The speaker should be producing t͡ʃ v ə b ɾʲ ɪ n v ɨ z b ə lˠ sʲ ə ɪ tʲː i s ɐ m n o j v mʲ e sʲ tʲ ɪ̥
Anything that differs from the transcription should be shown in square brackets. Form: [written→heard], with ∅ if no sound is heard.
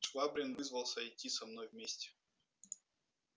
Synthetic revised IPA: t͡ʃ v [ə→a] b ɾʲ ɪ n v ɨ z [b→v] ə lˠ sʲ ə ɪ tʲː i s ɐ m n o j v mʲ e sʲ tʲ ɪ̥